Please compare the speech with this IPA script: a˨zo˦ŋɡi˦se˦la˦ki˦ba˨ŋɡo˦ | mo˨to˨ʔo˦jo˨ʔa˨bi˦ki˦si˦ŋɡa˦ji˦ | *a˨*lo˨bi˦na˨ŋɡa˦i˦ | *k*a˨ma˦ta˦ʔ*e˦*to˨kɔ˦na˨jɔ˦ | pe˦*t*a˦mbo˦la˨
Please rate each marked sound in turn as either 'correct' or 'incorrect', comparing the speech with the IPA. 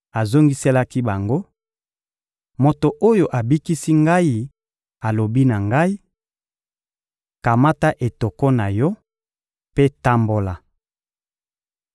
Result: correct, correct, incorrect: e˨, correct

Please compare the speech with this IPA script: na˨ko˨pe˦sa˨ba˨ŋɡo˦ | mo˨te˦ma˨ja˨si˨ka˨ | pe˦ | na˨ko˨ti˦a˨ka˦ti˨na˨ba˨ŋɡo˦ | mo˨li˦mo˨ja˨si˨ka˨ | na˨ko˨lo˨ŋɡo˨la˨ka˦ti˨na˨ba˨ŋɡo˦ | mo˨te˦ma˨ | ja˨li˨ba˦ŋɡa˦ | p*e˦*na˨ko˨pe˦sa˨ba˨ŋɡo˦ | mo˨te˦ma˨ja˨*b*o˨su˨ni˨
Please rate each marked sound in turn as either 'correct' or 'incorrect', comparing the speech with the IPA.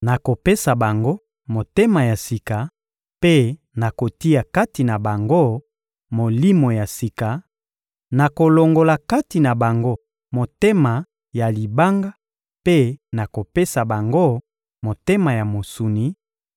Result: correct, incorrect: m

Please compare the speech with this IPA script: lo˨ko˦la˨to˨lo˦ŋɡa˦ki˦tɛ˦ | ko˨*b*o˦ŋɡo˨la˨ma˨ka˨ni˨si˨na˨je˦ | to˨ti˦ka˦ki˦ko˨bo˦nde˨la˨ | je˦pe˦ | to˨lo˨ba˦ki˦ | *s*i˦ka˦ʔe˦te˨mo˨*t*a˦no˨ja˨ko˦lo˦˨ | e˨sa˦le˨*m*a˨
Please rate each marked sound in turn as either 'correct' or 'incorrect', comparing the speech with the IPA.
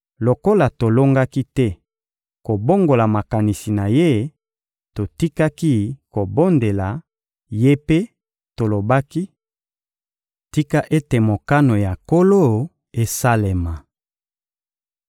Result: correct, incorrect: t, incorrect: k, correct

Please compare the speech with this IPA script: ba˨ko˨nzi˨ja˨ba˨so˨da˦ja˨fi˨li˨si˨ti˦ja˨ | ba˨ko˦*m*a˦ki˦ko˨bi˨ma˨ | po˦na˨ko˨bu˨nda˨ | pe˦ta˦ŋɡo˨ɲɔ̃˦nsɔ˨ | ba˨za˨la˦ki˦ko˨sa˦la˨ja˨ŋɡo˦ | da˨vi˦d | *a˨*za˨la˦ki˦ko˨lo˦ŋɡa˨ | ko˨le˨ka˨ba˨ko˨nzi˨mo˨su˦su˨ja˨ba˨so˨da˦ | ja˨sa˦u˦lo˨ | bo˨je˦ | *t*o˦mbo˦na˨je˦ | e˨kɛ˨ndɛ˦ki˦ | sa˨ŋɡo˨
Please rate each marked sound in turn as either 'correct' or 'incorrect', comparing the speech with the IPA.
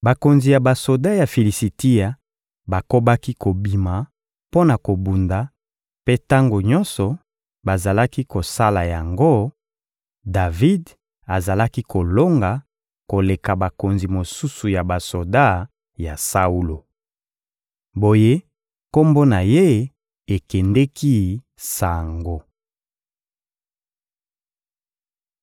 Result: incorrect: b, correct, incorrect: k

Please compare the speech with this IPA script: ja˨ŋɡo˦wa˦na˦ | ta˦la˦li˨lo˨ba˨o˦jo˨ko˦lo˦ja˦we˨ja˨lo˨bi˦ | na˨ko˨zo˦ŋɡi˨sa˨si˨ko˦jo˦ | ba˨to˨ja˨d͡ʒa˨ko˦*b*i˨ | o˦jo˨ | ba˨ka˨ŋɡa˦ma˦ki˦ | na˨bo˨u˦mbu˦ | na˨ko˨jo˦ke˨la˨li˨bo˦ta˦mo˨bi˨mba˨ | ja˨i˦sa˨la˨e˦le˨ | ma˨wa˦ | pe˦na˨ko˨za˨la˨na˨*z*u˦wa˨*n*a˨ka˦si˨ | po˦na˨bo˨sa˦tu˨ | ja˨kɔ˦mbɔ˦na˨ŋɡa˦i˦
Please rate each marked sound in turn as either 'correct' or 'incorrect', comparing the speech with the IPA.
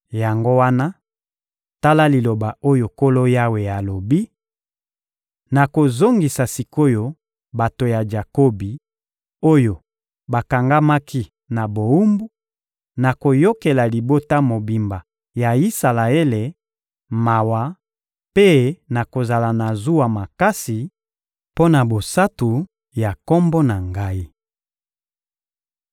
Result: correct, correct, incorrect: m

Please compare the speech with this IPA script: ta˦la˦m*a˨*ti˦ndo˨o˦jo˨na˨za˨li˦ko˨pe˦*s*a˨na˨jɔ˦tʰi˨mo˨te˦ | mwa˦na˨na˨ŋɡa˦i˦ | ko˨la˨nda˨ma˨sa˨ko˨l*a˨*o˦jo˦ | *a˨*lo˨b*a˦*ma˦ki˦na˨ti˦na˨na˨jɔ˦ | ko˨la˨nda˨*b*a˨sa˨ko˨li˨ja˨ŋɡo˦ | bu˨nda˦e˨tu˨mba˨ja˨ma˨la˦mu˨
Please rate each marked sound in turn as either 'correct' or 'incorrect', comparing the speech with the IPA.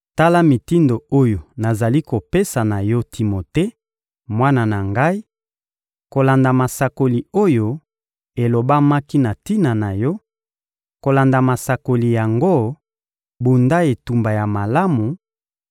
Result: incorrect: i˨, correct, incorrect: i˨, incorrect: e˨, correct, incorrect: m

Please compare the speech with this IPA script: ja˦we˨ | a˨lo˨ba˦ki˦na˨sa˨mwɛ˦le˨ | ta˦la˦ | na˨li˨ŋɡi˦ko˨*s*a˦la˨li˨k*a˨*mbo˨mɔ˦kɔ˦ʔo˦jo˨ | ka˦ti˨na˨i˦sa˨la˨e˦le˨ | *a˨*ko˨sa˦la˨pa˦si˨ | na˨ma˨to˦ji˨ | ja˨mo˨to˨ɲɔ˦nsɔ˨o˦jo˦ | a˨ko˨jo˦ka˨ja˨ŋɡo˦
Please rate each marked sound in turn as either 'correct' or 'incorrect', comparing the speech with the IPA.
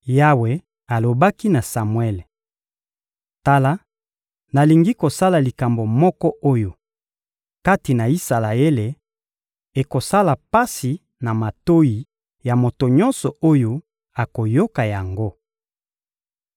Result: correct, correct, incorrect: e˨

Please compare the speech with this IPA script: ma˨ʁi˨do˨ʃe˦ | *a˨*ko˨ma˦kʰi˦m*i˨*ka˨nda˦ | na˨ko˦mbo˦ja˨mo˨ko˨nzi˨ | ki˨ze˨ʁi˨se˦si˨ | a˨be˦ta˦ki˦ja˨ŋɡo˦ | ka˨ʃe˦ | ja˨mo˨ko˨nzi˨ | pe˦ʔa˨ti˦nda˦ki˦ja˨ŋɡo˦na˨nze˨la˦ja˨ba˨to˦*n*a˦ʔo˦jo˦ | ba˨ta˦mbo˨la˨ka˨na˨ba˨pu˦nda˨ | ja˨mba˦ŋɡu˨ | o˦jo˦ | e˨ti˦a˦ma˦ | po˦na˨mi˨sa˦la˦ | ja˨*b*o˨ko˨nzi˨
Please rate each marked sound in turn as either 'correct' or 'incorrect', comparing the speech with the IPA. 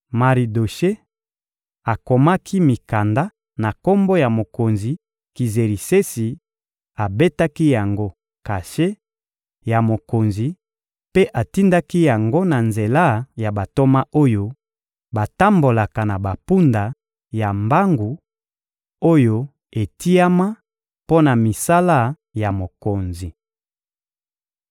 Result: correct, correct, incorrect: m, incorrect: m

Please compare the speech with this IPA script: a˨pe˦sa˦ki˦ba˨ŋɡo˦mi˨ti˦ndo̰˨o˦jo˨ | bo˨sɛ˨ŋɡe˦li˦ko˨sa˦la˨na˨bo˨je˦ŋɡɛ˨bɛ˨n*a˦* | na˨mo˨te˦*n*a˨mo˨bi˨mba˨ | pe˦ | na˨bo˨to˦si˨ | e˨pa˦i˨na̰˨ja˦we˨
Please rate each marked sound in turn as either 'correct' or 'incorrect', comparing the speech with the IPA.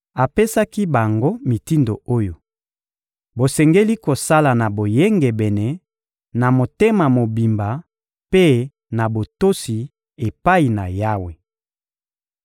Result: incorrect: ɛ˦, incorrect: m

